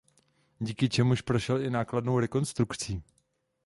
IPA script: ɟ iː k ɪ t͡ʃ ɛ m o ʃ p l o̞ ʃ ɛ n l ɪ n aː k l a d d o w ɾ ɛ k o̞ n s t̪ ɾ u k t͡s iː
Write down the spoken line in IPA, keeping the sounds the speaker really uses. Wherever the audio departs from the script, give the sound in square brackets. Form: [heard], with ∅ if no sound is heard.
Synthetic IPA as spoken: ɟ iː k ɪ t͡ʃ ɛ m [u] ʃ p [ɾ] o̞ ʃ ɛ [∅] l ɪ n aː k l a d [n] o w ɾ ɛ k o̞ n s t̪ ɾ u k t͡s iː